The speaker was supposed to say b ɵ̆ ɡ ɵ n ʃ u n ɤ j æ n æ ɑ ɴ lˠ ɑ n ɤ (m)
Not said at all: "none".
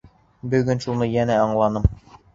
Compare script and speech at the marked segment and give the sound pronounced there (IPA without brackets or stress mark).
m